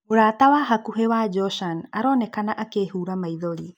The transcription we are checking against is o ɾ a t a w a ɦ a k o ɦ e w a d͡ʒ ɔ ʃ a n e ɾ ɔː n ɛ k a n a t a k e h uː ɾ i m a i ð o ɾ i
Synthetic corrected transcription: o ɾ a t a w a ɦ a k u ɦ e w a d͡ʒ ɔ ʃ a n a ɾ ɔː n ɛ k a n a ʔ a k e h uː ɾ a m a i ð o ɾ i